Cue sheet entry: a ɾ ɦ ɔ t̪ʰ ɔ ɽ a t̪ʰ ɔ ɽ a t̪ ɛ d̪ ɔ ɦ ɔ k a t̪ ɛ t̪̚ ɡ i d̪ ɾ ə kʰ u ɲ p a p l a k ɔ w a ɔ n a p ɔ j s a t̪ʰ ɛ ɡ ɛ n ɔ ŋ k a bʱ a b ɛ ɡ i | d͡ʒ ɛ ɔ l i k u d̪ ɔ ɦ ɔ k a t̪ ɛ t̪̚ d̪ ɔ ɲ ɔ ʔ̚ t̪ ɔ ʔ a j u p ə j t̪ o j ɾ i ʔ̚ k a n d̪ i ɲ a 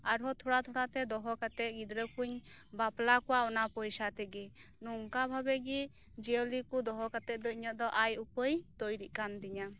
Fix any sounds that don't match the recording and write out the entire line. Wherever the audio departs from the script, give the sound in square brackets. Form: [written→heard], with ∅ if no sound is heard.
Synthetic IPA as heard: a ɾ ɦ ɔ t̪ʰ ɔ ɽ a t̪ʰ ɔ ɽ a t̪ ɛ d̪ ɔ ɦ ɔ k a t̪ ɛ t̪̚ ɡ i d̪ ɾ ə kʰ u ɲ [p→b] a p l a k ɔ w a ɔ n a p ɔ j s a [t̪ʰ→t̪] ɛ ɡ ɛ n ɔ ŋ k a bʱ a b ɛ ɡ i | d͡ʒ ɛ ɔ l i k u d̪ ɔ ɦ ɔ k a t̪ ɛ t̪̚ d̪ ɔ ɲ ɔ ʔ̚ [t̪→d̪] ɔ ʔ a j u p ə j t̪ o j ɾ i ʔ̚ k a n d̪ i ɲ a